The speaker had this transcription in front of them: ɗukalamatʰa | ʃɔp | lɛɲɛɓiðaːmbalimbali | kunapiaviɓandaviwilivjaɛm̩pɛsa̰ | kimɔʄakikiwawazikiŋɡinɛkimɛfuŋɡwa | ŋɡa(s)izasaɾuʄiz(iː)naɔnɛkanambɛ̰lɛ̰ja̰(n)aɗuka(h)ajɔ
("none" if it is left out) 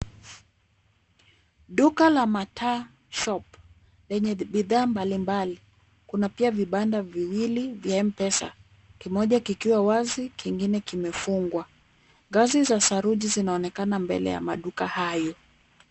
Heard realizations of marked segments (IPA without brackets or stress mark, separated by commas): z, i, m, h